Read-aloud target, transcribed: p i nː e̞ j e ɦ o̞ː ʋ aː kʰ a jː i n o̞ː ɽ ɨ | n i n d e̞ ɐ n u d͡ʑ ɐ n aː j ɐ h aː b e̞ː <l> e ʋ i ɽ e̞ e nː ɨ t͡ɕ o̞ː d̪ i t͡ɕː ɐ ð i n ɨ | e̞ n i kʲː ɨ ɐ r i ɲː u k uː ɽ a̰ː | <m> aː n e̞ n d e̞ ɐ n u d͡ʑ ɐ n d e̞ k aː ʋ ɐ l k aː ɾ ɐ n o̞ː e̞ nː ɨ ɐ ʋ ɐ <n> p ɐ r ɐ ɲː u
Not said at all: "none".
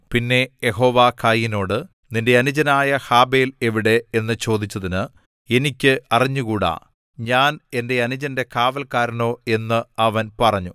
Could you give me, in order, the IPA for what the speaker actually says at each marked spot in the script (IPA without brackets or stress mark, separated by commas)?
l, ɲ, n